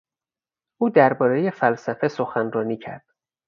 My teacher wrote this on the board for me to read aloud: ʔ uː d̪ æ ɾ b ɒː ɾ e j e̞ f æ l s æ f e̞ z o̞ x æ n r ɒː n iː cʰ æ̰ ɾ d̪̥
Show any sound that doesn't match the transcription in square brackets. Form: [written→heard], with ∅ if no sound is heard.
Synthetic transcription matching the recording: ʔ uː d̪ æ ɾ b ɒː ɾ e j e̞ f æ l s æ f e̞ [z→s] o̞ x æ n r ɒː n iː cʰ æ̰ ɾ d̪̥